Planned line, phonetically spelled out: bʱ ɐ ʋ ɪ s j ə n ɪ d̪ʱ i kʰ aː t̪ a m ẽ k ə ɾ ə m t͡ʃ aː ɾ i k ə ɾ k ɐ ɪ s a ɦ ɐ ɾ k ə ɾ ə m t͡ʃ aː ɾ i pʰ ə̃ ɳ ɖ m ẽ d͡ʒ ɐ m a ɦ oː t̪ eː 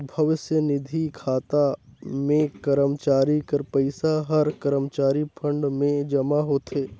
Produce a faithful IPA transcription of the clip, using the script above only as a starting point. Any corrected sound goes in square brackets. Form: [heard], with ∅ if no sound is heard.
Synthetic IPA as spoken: bʱ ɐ ʋ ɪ s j ə n ɪ d̪ʱ i kʰ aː t̪ a m ẽ k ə ɾ ə m t͡ʃ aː ɾ i k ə ɾ [p] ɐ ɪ s a ɦ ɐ ɾ k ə ɾ ə m t͡ʃ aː ɾ i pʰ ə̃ ɳ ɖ m ẽ d͡ʒ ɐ m a ɦ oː t̪ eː